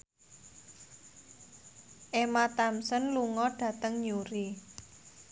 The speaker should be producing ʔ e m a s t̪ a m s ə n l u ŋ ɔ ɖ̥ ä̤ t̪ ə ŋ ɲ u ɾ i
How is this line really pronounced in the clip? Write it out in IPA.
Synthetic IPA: ʔ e m a t̪ a m s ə n l u ŋ ɔ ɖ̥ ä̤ t̪ ə ŋ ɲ u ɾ i